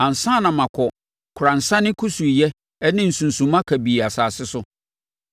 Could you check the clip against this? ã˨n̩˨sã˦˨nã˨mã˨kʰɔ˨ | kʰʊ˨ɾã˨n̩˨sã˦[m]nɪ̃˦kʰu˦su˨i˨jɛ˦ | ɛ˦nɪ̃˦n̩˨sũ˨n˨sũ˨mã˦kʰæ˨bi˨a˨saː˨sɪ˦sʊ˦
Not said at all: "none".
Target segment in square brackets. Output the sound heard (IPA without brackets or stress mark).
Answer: none